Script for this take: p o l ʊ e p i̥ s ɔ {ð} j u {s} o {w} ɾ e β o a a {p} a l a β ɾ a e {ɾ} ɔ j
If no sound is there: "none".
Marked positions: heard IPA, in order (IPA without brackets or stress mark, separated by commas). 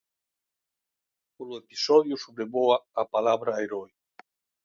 ð, s, β, p, ɾ